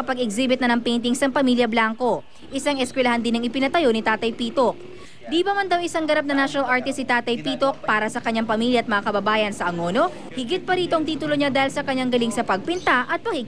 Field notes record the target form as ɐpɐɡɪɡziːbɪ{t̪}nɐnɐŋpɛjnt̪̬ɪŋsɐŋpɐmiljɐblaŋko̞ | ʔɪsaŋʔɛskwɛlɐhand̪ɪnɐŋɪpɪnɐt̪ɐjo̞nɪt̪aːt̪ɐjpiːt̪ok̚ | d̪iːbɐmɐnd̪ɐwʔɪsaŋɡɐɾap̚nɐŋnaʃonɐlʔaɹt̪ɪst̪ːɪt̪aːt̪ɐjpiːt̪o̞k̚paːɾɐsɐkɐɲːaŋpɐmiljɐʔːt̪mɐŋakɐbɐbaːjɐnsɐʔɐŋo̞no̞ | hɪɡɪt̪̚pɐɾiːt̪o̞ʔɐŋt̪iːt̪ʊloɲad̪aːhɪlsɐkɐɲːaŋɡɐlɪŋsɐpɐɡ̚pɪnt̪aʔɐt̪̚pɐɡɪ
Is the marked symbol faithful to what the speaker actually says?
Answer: yes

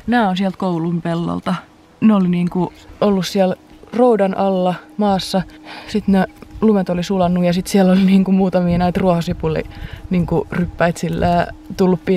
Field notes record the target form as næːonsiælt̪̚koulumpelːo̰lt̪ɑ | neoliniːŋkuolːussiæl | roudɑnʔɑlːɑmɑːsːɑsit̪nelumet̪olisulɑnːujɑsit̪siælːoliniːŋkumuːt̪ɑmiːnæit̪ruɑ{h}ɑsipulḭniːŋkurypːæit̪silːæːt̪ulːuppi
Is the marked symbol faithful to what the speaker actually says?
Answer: yes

